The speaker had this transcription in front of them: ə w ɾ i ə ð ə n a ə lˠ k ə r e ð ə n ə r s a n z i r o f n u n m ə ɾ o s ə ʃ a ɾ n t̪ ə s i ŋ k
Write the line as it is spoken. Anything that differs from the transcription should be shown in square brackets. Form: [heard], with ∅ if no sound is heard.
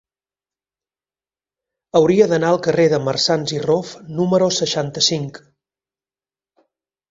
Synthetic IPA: ə w ɾ i ə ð ə n a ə lˠ k ə r e ð ə [m] ə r s a n z i r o f n u [∅] m ə ɾ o s ə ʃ a [∅] n t̪ ə s i ŋ k